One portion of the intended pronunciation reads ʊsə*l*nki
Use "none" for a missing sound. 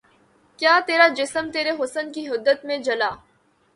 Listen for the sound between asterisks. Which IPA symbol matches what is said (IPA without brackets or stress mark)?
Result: none